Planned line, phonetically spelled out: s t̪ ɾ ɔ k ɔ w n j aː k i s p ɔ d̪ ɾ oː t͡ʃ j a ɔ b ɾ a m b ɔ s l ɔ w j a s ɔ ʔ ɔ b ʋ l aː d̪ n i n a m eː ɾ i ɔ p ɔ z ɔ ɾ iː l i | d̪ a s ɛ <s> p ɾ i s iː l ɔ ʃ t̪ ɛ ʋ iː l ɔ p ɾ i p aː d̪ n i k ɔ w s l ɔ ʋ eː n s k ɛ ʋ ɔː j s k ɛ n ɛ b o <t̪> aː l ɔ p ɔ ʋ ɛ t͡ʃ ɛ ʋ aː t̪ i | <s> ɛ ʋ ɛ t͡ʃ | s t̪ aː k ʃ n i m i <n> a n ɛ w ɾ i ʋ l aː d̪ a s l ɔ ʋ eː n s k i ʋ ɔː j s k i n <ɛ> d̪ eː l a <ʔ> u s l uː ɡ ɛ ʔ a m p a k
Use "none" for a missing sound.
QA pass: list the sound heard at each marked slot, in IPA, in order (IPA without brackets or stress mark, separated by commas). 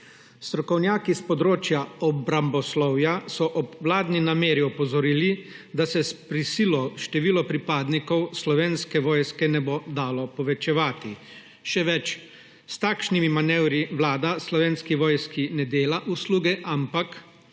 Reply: s, d̪, ʃ, m, ɛ, ʔ